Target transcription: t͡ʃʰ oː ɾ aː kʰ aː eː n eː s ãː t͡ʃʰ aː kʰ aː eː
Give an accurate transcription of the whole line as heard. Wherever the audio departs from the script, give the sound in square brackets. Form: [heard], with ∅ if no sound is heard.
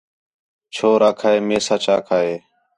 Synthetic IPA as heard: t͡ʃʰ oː ɾ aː kʰ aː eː [m] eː s [aː] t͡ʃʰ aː kʰ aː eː